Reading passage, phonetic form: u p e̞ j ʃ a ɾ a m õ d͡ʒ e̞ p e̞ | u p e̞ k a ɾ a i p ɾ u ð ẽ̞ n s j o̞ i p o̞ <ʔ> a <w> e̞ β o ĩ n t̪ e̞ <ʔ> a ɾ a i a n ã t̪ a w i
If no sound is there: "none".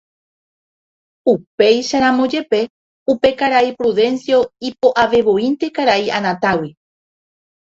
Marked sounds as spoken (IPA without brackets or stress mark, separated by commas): ʔ, ʋ, k